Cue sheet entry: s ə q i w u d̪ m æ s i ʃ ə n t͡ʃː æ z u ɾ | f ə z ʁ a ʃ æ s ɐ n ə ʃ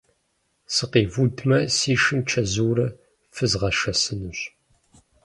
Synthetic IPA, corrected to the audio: s ə q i v u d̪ m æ s i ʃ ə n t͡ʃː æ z u ɾ | f ə z ʁ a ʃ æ s ə n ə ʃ